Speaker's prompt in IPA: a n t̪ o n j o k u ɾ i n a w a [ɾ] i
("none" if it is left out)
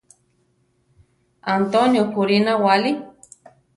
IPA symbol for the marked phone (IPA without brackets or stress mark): l